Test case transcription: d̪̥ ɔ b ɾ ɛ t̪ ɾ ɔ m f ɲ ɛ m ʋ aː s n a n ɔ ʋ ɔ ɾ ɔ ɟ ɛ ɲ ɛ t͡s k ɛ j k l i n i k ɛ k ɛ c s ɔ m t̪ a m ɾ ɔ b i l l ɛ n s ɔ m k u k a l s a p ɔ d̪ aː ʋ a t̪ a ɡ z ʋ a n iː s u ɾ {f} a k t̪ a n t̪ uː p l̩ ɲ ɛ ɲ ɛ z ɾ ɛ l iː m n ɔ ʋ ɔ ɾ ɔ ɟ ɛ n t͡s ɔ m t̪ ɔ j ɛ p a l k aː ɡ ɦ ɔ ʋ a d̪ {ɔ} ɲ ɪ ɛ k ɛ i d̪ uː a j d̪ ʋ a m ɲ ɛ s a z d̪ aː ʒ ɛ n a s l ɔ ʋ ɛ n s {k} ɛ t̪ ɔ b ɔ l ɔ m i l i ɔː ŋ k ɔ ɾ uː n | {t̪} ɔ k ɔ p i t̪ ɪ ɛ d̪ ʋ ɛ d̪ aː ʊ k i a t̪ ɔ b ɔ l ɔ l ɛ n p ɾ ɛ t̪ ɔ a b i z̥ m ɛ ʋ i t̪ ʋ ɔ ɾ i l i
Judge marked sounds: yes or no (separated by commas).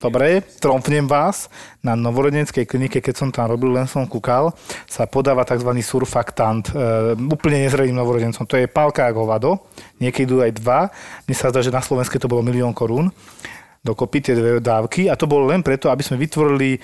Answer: yes, yes, yes, no